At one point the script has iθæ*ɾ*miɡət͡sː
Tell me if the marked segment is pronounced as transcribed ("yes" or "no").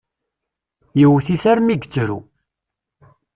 yes